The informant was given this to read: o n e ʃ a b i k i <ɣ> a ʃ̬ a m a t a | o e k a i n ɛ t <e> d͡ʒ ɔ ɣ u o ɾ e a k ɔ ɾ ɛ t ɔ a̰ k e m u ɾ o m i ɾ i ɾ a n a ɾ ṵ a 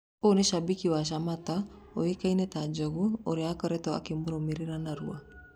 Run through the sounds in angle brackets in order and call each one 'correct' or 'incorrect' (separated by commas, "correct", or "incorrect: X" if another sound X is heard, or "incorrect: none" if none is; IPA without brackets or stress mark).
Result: incorrect: w, incorrect: a